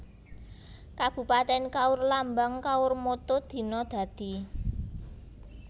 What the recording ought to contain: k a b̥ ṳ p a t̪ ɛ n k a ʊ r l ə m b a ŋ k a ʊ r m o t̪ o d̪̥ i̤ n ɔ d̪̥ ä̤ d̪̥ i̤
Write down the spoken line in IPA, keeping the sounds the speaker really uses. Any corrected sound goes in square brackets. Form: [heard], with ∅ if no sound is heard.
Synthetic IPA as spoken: k a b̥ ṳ p a t̪ ɛ n k a ʊ r l [a] m b a ŋ k a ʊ r m o t̪ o d̪̥ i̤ n ɔ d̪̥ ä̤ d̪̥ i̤